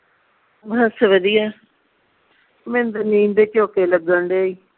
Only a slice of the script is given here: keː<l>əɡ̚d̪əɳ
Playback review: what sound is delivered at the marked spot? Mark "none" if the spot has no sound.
l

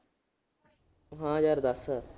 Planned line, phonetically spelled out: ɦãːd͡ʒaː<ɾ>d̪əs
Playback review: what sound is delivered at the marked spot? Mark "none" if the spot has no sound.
ɾ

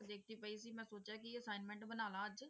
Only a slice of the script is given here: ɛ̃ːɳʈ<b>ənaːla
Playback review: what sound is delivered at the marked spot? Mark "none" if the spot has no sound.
b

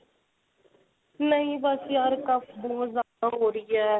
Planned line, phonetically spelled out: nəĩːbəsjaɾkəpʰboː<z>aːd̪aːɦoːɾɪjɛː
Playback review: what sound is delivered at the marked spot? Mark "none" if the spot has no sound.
z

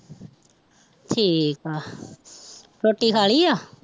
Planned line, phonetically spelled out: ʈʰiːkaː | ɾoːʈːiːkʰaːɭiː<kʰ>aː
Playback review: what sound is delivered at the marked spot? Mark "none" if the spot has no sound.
none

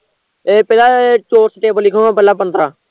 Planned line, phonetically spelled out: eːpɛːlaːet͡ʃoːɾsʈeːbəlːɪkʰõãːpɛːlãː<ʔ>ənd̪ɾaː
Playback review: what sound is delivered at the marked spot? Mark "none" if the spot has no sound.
p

